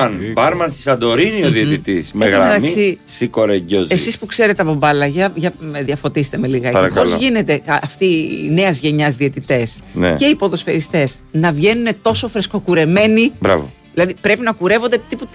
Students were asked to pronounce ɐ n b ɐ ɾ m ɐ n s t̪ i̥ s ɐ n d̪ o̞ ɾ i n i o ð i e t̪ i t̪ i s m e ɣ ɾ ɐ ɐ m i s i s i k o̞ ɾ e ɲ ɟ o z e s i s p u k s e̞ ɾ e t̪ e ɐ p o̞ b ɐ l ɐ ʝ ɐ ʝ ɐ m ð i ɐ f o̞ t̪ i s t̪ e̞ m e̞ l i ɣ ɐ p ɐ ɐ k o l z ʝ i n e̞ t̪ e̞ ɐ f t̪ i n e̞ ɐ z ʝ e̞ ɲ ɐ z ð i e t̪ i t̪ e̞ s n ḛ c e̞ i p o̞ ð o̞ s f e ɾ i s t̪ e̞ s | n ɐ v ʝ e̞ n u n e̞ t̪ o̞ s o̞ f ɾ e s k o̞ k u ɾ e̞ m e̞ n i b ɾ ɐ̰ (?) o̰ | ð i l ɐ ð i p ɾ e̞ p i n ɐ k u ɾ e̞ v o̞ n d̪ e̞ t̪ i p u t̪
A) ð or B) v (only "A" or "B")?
B